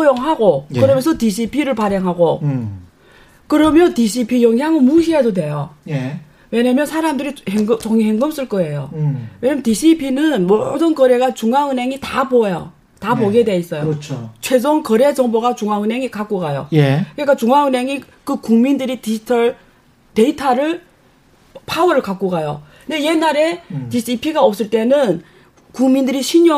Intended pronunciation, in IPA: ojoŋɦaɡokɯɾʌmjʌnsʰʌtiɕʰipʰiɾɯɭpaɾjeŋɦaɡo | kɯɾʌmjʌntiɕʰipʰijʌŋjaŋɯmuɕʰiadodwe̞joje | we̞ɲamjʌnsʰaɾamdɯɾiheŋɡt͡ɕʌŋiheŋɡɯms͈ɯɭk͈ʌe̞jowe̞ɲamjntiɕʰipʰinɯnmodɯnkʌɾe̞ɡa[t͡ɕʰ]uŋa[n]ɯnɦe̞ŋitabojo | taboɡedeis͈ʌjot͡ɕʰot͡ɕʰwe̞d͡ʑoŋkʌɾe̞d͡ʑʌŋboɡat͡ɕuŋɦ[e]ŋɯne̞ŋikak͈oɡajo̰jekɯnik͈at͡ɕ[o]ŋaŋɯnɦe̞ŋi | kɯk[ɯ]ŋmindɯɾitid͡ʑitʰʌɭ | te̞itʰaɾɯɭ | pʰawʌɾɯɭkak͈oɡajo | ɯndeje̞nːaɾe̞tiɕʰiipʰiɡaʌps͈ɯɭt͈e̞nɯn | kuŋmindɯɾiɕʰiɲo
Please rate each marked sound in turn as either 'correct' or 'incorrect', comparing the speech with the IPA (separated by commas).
incorrect, incorrect, incorrect, incorrect, incorrect